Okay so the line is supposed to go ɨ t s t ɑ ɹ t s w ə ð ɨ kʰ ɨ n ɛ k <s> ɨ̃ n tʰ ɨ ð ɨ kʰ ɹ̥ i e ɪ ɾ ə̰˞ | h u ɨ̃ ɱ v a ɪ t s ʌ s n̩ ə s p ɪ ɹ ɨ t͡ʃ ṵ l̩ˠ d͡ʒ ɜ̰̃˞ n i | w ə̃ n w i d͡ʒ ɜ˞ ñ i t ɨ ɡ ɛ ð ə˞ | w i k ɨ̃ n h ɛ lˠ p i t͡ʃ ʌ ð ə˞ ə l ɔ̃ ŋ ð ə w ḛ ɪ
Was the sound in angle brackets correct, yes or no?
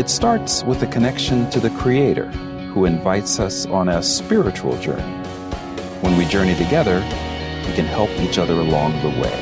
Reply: no